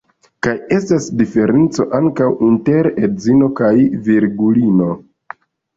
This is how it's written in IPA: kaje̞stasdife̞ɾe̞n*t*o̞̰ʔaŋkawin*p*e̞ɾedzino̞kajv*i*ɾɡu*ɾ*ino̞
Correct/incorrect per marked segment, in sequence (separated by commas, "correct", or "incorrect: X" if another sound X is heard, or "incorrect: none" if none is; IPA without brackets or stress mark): incorrect: t͡s, incorrect: t, correct, incorrect: l